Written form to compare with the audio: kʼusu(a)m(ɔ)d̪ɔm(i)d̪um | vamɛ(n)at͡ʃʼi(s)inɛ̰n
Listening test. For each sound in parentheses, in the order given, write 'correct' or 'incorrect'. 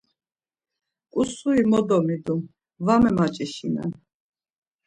incorrect, correct, correct, incorrect, incorrect

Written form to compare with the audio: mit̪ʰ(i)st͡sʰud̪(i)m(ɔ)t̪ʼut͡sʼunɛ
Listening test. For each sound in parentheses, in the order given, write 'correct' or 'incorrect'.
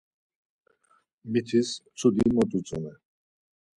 correct, correct, correct

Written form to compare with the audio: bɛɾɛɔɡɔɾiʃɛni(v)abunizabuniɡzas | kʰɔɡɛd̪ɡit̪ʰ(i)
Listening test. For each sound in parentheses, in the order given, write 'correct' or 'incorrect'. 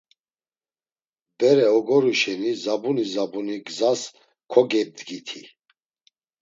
incorrect, correct

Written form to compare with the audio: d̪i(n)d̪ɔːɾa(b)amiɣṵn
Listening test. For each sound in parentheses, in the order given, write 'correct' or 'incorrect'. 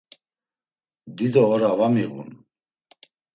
incorrect, incorrect

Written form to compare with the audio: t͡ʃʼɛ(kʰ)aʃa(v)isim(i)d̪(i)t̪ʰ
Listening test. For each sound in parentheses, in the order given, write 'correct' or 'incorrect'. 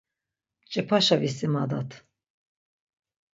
incorrect, correct, incorrect, incorrect

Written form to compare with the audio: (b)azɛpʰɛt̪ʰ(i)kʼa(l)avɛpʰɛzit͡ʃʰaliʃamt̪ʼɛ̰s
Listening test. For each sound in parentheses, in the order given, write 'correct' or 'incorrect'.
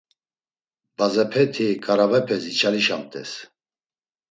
correct, correct, incorrect

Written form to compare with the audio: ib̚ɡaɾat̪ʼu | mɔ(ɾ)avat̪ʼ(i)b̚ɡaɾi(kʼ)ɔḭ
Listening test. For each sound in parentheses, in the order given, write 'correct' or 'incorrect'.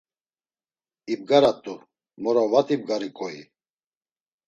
correct, correct, correct

